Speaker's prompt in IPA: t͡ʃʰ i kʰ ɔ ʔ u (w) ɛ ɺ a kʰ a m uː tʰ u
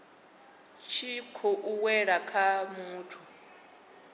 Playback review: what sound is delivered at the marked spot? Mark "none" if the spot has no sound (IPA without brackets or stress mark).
w